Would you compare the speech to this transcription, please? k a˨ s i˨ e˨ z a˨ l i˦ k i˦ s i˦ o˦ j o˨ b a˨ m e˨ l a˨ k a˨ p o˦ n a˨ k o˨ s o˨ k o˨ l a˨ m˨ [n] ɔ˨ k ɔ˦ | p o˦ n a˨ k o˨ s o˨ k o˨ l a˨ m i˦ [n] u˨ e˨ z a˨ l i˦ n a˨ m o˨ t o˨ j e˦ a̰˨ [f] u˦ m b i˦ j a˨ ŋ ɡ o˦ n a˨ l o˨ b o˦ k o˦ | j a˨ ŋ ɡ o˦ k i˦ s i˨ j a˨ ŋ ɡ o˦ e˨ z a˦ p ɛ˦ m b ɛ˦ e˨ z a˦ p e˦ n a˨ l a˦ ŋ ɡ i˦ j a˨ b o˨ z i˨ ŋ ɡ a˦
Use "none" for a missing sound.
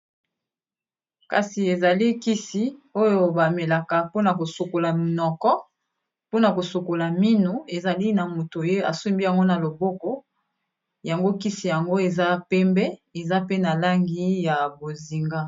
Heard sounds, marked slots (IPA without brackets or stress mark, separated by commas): n, n, s